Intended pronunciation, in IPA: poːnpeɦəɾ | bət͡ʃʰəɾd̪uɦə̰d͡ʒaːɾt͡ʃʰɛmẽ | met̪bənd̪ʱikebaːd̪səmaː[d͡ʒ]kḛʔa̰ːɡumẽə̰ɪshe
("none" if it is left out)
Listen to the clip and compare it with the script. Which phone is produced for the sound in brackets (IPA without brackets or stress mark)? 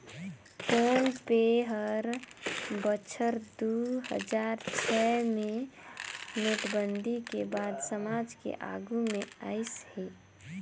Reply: d͡ʒ